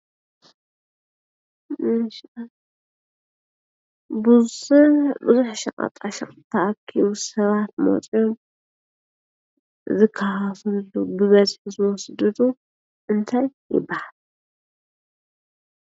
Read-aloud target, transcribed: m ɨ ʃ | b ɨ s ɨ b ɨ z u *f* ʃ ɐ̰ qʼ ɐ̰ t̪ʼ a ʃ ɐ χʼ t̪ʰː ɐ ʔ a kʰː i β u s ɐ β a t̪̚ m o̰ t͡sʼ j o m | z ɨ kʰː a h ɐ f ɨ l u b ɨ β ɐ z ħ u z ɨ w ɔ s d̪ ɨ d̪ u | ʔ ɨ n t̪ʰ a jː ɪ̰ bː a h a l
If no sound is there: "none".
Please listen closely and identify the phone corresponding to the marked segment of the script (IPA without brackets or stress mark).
ħ